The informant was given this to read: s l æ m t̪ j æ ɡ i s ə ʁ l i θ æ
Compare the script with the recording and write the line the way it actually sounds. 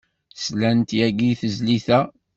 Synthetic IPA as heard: s l æ n t̪ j æ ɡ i θ ə z l i θ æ

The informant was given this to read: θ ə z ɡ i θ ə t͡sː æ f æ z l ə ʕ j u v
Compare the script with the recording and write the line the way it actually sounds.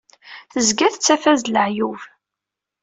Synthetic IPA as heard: θ ə z ɡ æ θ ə t͡sː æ f æ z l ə ʕ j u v

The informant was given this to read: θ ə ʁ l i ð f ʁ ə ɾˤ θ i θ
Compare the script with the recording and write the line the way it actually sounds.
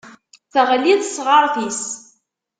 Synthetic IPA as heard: θ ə ʁ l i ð s ʁ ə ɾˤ θ i s

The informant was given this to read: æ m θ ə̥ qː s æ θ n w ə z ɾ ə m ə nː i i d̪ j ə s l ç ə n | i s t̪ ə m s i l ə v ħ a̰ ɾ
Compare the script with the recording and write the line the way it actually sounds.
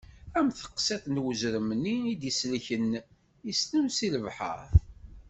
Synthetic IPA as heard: æ m θ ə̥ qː s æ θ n w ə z ɾ ə m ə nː i i d̪ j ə s l ç ə n | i s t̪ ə m s i l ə v ħ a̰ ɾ

